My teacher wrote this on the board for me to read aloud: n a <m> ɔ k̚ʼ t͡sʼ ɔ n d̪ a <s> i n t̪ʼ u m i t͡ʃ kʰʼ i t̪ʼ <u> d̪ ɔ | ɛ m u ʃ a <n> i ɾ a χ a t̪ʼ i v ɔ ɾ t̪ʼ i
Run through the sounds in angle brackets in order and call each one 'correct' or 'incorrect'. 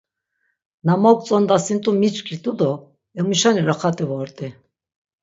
correct, correct, correct, correct

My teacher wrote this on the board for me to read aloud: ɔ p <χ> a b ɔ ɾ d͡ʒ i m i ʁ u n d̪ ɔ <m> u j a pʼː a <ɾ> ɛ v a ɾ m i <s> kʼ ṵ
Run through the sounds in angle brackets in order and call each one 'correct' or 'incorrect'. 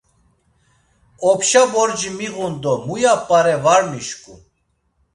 incorrect, correct, correct, incorrect

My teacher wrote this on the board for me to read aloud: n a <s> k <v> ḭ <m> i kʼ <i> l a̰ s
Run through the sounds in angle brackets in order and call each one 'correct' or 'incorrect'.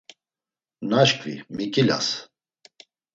incorrect, correct, correct, correct

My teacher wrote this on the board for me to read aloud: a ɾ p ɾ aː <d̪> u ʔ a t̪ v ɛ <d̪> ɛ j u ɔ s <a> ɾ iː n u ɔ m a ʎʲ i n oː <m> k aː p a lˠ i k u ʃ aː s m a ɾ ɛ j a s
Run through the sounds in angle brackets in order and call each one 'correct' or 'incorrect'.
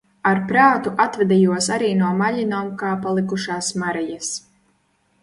incorrect, correct, correct, correct

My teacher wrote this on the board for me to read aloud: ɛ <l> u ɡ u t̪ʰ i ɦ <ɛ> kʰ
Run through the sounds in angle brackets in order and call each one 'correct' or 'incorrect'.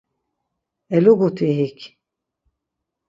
correct, incorrect

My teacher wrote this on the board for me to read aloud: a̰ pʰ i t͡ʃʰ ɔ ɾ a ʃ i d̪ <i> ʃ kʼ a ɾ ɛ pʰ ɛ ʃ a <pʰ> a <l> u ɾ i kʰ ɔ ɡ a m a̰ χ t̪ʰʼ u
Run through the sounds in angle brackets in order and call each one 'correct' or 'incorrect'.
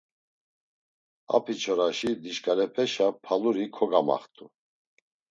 correct, correct, correct

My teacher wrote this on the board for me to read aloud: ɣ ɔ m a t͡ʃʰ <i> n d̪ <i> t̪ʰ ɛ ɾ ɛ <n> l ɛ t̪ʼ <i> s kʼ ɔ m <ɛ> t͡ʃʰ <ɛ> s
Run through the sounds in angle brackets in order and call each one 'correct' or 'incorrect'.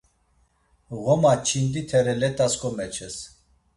correct, correct, incorrect, incorrect, correct, correct

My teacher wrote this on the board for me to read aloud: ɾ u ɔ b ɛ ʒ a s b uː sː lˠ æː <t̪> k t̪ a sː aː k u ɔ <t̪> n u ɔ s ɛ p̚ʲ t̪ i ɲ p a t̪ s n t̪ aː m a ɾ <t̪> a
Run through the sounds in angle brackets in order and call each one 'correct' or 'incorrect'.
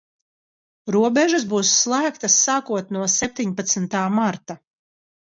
incorrect, correct, correct

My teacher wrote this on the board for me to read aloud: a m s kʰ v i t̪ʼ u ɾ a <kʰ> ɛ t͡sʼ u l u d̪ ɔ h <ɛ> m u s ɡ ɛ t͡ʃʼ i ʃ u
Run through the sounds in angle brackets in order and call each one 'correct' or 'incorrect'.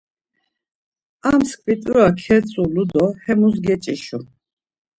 correct, correct

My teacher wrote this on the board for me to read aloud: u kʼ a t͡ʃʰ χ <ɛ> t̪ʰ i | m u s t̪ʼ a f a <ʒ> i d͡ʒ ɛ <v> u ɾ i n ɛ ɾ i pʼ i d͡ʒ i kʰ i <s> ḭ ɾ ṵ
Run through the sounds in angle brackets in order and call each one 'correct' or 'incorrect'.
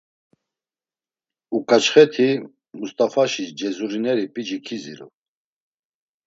correct, incorrect, incorrect, incorrect

